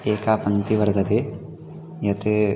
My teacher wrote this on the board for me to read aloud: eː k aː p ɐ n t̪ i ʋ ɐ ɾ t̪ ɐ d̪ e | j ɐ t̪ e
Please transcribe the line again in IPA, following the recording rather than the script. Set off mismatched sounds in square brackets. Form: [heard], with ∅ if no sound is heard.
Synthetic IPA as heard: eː k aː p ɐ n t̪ i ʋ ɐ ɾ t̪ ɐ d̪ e | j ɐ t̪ e